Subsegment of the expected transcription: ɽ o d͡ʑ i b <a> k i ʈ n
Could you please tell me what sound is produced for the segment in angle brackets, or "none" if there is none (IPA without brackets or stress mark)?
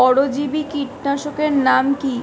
i